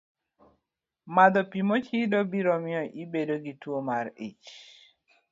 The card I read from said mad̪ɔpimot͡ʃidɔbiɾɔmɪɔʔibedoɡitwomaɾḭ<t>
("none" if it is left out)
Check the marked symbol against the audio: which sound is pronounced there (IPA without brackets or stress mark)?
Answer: t͡ʃ